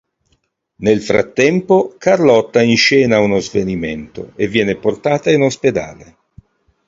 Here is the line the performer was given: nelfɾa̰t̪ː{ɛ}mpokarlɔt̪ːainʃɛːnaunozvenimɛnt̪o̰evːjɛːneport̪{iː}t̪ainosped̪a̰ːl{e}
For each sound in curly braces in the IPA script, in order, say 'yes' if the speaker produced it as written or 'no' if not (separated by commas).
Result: yes, no, yes